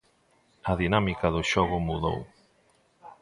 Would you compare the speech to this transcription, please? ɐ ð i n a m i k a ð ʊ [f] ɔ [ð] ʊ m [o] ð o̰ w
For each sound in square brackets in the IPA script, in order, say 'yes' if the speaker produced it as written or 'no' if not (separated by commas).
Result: no, no, no